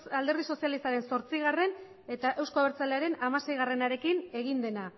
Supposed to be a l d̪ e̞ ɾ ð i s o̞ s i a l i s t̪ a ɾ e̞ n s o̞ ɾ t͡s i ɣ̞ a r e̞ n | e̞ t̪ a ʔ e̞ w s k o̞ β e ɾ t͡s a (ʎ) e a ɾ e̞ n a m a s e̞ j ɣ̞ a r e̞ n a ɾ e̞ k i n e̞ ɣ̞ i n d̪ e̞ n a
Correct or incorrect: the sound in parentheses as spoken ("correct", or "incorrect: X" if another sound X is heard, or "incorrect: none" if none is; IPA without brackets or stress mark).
incorrect: l